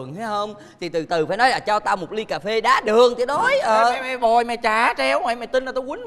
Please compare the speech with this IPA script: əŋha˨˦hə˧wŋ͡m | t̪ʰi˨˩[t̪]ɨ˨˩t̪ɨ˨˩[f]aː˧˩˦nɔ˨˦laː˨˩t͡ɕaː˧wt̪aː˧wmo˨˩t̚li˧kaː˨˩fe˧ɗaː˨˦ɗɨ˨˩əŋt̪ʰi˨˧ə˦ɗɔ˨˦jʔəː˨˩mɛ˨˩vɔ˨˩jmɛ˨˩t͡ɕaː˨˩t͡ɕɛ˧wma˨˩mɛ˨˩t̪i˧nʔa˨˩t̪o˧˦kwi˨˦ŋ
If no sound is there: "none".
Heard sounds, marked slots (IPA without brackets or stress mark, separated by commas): t̪, f